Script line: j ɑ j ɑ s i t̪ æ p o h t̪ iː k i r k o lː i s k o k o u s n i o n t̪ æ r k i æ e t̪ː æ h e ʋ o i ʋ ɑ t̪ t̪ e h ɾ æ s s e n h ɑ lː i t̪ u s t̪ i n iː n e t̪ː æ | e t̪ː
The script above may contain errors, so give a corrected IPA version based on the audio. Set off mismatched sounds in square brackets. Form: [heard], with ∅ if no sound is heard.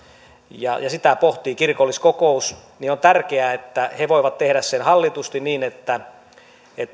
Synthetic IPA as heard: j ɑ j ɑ s i t̪ æ p o h t̪ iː k i r k o lː i s k o k o u s n i o n t̪ æ r k [e] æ e t̪ː æ h e ʋ o i ʋ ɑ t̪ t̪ e h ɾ æ s s e n h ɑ lː i t̪ u s t̪ i n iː n e t̪ː æ | e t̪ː

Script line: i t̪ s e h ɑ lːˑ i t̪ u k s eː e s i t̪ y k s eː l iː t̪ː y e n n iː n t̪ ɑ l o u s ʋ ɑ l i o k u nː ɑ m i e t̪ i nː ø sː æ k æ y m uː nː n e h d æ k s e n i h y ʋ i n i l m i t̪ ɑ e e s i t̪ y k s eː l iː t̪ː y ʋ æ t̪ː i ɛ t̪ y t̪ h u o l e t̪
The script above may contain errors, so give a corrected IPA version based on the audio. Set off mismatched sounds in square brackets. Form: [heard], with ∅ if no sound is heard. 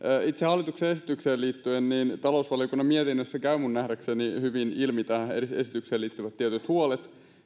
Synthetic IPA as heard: i t̪ s e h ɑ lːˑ i t̪ u k s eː e s i t̪ y k s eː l iː t̪ː y e n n iː n t̪ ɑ l o u s ʋ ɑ l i o k u nː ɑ m i e t̪ i nː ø sː æ k æ y m [u] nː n [æ] h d æ k s e n i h y ʋ i n i l m i t̪ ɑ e e s i t̪ y k s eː l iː t̪ː y ʋ æ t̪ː i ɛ t̪ y t̪ h u o l e t̪

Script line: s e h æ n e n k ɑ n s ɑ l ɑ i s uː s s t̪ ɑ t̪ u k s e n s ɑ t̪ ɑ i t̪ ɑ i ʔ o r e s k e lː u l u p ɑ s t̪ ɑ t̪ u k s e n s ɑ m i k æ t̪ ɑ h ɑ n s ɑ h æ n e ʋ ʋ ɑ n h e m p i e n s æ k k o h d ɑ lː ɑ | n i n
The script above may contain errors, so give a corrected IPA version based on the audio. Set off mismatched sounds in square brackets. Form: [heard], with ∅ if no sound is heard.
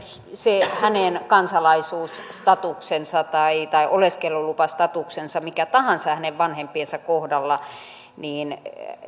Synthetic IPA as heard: s e h æ n e n k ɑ n s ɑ l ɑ i s uː s s t̪ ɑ t̪ u k s e n s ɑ t̪ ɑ i t̪ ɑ i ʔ o [l] e s k e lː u l u p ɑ s t̪ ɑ t̪ u k s e n s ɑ m i k æ t̪ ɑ h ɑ n s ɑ h æ n e ʋ ʋ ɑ n h e m p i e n s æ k k o h d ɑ lː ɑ | n [iː] n

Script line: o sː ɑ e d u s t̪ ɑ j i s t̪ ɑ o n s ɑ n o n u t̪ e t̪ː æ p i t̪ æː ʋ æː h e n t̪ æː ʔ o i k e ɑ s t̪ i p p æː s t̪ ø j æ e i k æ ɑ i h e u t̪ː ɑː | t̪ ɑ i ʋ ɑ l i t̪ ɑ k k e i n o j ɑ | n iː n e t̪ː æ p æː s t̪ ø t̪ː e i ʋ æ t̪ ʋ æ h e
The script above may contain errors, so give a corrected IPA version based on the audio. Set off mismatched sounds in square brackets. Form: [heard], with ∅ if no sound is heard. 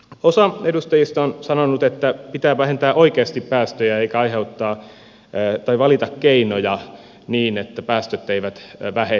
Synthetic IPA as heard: o [s] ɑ e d u s t̪ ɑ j i s t̪ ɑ o n s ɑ n o n u t̪ e t̪ː æ p i t̪ æː ʋ [æ] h e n t̪ æː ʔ o i k e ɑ s t̪ i p p æː s t̪ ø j æ e i k æ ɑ i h e u t̪ː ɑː | t̪ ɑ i ʋ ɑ l i t̪ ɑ k k e i n o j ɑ | n iː n e t̪ː æ p æː s t̪ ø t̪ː e i ʋ æ t̪ ʋ æ h e

